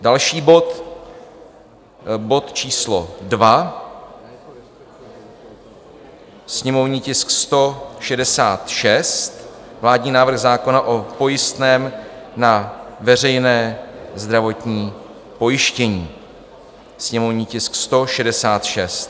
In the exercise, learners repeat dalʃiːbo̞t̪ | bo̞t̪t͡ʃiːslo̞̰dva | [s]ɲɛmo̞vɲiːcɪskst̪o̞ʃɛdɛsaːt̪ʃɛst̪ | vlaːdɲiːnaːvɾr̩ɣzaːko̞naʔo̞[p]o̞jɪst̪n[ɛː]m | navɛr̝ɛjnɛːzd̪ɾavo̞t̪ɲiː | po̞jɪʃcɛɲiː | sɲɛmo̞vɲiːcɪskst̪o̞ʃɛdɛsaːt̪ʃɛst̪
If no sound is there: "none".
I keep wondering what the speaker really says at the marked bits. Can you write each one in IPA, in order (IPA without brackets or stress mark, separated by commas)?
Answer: s, p, ɛː